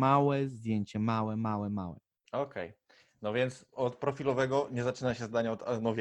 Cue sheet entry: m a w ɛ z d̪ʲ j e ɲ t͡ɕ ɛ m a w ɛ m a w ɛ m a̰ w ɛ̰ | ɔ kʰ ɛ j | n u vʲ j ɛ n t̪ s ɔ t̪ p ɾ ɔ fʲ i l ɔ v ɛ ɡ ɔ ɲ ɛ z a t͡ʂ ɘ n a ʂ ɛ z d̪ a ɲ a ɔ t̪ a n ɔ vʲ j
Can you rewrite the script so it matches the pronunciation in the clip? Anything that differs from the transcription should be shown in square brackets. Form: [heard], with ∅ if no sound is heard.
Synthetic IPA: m a w ɛ z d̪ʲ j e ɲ t͡ɕ ɛ m a w ɛ m a w ɛ m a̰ w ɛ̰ | ɔ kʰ ɛ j | n [ɔ] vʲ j ɛ n t̪ s ɔ t̪ p ɾ ɔ fʲ i l ɔ v ɛ ɡ ɔ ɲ ɛ z a t͡ʂ ɘ n a [ɕ] ɛ z d̪ a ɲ a ɔ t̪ a n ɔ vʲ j